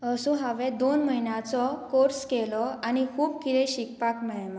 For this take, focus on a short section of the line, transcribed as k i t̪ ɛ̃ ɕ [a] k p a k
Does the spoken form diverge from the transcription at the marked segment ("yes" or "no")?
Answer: yes